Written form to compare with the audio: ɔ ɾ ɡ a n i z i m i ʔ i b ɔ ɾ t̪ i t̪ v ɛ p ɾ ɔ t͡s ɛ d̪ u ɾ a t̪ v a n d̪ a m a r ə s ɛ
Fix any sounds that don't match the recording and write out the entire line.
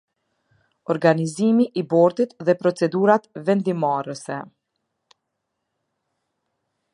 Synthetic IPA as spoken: ɔ ɾ ɡ a n i z i m i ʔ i b ɔ ɾ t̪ i t̪ ð ɛ p ɾ ɔ t͡s ɛ d̪ u ɾ a t̪ v ɛ n d̪ i m a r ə s ɛ